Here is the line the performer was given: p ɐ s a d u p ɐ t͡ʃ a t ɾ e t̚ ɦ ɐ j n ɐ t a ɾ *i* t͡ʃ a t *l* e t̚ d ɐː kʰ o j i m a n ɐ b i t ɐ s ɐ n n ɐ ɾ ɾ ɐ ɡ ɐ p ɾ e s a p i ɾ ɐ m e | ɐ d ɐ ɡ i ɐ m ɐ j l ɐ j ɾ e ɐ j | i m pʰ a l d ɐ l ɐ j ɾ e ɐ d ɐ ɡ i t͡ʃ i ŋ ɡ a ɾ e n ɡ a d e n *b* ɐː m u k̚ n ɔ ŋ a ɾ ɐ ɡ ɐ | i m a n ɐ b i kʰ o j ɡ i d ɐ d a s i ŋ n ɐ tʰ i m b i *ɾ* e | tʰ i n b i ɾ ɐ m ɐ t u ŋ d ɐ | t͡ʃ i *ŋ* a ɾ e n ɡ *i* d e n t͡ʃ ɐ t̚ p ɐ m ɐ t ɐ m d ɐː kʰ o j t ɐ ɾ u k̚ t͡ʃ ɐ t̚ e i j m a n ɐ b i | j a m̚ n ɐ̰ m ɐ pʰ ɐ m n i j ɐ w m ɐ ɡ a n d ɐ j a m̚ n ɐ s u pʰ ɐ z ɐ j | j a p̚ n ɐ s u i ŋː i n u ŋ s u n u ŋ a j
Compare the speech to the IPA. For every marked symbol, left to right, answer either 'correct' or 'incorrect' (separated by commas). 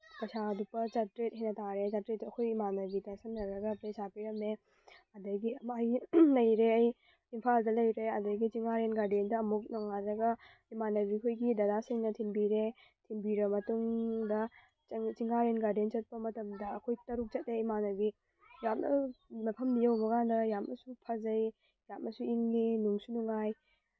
incorrect, incorrect, incorrect, correct, correct, incorrect